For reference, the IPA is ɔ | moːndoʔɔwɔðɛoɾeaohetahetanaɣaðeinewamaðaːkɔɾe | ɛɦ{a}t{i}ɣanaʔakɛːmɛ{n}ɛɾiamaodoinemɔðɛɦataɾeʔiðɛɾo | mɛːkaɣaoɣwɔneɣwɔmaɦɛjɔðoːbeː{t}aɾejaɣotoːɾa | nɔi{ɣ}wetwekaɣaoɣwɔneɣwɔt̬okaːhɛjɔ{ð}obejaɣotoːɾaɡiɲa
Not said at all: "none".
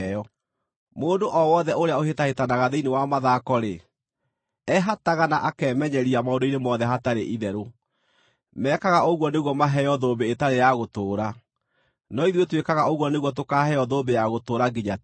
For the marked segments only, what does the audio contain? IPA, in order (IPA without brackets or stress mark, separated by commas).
a, a, ɲ, t, ð, ð